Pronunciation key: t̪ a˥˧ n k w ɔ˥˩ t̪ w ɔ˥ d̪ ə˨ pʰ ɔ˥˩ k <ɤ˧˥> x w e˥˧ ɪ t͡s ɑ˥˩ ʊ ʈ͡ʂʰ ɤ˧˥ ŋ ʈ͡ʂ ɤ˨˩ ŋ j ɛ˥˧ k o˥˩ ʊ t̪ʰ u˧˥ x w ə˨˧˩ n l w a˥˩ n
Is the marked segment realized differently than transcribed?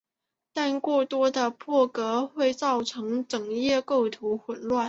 no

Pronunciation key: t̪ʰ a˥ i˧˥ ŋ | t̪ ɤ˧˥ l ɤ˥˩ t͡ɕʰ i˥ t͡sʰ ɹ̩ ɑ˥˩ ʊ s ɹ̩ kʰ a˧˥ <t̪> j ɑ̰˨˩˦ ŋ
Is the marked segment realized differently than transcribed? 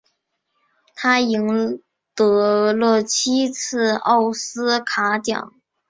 no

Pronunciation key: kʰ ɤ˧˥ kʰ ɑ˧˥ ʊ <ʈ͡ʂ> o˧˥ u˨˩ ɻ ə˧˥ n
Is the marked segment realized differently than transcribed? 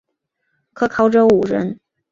no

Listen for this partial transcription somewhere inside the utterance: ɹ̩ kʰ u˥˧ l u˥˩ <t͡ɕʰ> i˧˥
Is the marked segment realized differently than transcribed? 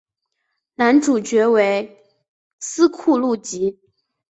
yes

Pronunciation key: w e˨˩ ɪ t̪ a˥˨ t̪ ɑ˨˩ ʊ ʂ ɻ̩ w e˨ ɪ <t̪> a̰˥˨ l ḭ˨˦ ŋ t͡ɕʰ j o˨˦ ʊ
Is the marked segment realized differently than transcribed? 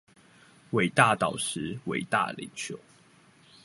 no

